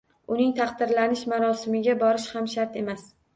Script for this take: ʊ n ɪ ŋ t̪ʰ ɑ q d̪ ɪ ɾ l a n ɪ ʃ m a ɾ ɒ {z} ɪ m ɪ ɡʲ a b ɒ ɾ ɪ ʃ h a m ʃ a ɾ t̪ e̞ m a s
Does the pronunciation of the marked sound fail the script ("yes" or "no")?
yes